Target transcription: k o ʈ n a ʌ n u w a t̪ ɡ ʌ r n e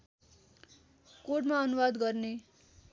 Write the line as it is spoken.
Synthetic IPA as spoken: k o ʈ m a ʌ n u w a d̪ ɡ ʌ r n e